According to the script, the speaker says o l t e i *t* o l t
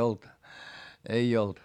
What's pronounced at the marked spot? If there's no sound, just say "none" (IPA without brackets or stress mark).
none